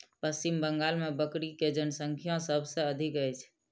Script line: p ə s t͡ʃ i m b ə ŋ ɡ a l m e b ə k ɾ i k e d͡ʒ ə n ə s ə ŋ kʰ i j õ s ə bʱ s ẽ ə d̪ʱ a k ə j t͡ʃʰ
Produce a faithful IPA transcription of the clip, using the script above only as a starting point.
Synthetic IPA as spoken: p ə s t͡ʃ i m b ə ŋ ɡ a l m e b ə k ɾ i k e d͡ʒ ə n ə s ə ŋ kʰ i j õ s ə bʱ s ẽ ə d̪ʱ i k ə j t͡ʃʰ